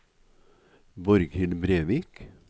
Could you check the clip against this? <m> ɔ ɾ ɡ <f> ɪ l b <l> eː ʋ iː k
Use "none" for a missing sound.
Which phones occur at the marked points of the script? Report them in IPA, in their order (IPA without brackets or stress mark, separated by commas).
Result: b, h, ɾ